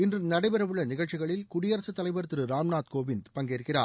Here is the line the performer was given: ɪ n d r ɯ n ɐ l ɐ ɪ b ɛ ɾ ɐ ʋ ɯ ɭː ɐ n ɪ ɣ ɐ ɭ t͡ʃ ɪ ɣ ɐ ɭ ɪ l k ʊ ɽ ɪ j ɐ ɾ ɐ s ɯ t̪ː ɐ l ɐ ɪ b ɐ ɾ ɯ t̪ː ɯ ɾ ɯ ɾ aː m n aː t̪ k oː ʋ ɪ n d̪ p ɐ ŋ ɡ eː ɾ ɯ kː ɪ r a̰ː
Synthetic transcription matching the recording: ɪ n d r ɯ n ɐ ɽ ɐ ɪ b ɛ ɾ ɐ ʋ ɯ ɭː ɐ n ɪ ɣ ɐ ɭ t͡ʃ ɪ ɣ ɐ ɭ ɪ l k ʊ ɽ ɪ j ɐ ɾ ɐ s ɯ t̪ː ɐ l ɐ ɪ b ɐ ɾ ɯ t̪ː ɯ ɾ ɯ ɾ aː m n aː t̪ k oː ʋ ɪ n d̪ p ɐ ŋ ɡ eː ɾ ɯ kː ɪ r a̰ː